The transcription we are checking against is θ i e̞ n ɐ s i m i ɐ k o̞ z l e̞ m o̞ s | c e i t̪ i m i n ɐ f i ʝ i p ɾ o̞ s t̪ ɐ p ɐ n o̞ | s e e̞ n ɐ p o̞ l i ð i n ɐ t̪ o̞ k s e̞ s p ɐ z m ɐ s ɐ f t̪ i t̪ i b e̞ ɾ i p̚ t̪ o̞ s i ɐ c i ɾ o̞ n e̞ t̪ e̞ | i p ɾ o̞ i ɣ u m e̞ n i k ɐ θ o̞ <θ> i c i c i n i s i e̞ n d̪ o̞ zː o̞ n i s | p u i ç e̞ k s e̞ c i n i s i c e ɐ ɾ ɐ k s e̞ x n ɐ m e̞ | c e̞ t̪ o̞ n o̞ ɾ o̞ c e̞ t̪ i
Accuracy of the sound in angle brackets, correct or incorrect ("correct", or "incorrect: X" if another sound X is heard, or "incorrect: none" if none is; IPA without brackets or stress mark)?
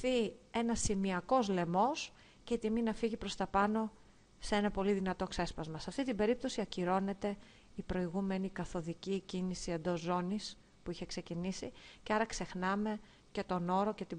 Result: incorrect: ð